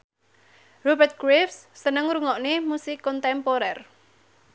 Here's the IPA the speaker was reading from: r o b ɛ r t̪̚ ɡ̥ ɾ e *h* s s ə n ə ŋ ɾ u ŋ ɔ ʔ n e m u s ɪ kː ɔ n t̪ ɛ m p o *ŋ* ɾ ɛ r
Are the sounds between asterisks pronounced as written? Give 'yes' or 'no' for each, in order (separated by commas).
no, no